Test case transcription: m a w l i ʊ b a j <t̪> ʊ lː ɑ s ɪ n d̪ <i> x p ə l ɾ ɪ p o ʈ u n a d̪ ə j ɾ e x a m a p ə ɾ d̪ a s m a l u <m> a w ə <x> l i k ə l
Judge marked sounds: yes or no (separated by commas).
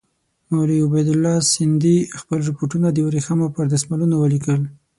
no, yes, no, no